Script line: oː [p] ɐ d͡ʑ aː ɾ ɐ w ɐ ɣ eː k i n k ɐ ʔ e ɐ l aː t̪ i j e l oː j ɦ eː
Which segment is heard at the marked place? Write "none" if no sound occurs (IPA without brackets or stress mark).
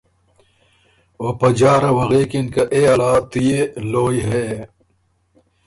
p